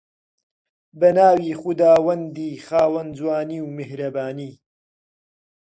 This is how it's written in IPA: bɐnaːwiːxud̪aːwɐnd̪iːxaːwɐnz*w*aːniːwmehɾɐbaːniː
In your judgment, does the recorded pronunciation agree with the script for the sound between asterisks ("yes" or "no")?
yes